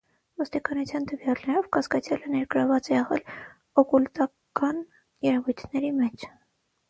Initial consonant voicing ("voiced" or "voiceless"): voiced